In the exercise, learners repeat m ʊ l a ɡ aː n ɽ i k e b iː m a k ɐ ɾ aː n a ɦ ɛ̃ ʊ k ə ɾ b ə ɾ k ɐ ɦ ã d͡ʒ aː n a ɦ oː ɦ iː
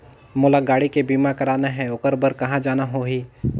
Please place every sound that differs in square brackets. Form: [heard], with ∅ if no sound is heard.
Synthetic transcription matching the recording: m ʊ l a ɡ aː [∅] ɽ i k e b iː m a k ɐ ɾ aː n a ɦ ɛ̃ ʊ k ə ɾ b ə ɾ k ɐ ɦ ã d͡ʒ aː n a ɦ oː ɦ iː

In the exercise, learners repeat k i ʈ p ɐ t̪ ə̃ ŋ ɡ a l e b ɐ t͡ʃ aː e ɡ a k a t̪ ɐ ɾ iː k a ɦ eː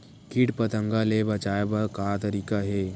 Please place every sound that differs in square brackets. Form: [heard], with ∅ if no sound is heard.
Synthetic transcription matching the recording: k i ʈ p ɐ t̪ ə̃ ŋ ɡ a l e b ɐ t͡ʃ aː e [b] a k a t̪ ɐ ɾ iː k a ɦ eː

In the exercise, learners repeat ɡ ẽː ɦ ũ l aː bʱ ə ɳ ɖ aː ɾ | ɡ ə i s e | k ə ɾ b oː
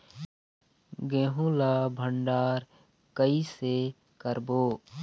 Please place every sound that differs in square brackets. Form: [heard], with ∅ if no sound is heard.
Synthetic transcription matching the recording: ɡ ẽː ɦ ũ l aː bʱ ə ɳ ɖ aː ɾ | [k] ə i s e | k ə ɾ b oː

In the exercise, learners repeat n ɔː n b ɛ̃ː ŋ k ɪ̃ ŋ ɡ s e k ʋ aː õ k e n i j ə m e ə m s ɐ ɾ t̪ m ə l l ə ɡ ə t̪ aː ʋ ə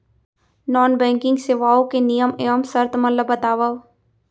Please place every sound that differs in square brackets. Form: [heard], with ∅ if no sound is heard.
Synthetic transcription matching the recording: n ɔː n b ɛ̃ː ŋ k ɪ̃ ŋ ɡ s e [∅] ʋ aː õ k e n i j ə m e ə m s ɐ ɾ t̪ m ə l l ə [b] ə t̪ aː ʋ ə

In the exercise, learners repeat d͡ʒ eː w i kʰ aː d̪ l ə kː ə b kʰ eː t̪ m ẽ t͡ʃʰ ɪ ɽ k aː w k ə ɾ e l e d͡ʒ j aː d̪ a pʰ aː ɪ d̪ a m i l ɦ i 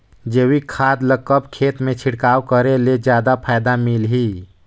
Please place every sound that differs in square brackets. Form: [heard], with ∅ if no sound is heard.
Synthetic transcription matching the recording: d͡ʒ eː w i kʰ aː d̪ l ə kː ə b kʰ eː t̪ m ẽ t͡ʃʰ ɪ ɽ k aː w k ə ɾ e l e d͡ʒ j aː d̪ a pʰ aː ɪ d̪ a m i l ɦ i

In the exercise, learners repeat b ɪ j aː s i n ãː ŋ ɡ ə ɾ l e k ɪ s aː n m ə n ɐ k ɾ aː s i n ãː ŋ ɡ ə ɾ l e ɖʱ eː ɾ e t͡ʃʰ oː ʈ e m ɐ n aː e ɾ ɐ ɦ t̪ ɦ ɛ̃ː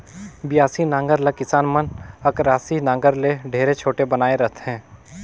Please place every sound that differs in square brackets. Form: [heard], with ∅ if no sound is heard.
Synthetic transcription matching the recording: b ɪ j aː s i n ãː ŋ ɡ ə ɾ l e k ɪ s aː n m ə n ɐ k ɾ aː s i n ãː ŋ ɡ ə ɾ l e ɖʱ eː ɾ e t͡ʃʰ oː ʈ e [b] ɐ n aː e ɾ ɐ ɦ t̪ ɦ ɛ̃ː

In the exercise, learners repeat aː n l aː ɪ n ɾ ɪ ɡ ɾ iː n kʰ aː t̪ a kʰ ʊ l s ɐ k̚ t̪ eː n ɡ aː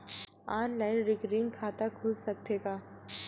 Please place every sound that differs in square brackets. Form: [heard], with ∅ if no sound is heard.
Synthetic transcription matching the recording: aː n l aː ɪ n ɾ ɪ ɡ ɾ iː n kʰ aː t̪ a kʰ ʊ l s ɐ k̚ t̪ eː [∅] ɡ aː

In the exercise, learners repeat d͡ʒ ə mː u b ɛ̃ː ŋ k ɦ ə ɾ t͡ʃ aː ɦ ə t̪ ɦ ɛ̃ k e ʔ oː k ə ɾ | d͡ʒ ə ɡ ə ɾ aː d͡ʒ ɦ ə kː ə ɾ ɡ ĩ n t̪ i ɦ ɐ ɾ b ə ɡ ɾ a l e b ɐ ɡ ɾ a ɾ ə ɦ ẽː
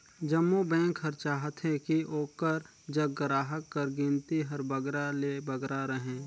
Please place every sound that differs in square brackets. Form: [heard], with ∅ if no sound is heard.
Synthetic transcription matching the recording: d͡ʒ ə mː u b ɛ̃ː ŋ k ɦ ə ɾ t͡ʃ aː ɦ ə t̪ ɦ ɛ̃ k [i] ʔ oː k ə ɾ | d͡ʒ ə ɡ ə ɾ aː [∅] ɦ ə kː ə ɾ ɡ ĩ n t̪ i ɦ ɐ ɾ b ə ɡ ɾ a l e b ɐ ɡ ɾ a ɾ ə ɦ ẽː

